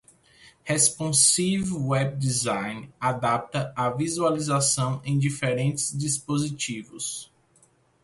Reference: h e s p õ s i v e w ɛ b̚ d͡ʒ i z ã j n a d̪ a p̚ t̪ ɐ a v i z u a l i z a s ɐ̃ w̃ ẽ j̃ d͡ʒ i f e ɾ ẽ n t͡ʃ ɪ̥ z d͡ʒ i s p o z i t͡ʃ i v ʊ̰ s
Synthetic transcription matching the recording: h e s p õ s i v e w ɛ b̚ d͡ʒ i z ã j n a d̪ a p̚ t̪ ɐ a v i z u a l i z a s ɐ̃ w̃ ẽ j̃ d͡ʒ i f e ɾ ẽ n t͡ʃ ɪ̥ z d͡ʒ i s p o z i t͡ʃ i v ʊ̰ s